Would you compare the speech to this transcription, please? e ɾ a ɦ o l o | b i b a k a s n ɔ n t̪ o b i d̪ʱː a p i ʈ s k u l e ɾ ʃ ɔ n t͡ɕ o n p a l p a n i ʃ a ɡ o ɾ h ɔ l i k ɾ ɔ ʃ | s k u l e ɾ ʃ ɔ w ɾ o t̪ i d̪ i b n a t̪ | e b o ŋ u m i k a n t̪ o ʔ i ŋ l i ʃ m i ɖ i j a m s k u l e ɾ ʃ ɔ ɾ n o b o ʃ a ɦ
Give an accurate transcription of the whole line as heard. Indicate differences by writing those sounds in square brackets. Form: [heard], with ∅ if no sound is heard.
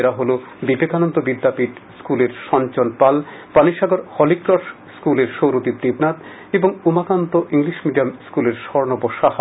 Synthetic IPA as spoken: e ɾ a ɦ o l o | b i b [e] k a [∅] n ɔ n t̪ o b i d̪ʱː a p i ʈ s k u l e ɾ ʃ ɔ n t͡ɕ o n p a l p a n i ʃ a ɡ o ɾ h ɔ l i k ɾ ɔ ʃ | s k u l e ɾ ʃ [o] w ɾ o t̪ i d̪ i b n a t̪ | e b o ŋ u m [a] k a n t̪ o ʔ i ŋ l i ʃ m i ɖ i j a m s k u l e ɾ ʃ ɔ ɾ n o b o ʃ a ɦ